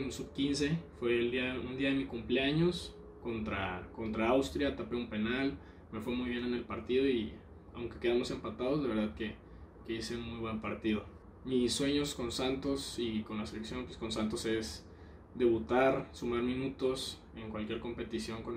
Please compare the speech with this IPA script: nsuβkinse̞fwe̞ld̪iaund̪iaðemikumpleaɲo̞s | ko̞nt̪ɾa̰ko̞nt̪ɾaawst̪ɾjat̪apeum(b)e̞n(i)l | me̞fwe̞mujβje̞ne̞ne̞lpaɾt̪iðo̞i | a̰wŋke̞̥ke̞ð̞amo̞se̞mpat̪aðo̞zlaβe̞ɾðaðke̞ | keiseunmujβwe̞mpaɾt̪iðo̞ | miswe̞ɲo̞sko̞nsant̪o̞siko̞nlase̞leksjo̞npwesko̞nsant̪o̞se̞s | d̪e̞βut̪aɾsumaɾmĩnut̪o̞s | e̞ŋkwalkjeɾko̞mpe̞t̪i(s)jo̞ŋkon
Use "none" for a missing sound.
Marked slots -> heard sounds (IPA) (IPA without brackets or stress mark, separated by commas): p, a, s